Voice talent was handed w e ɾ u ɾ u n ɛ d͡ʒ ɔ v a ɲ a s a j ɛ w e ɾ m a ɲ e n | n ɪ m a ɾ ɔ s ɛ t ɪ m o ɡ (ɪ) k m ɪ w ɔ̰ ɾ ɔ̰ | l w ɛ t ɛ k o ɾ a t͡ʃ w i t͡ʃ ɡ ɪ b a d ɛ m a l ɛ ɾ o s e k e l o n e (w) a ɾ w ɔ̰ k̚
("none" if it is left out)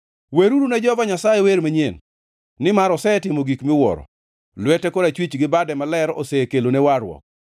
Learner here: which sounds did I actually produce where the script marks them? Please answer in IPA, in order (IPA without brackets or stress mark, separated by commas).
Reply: i, w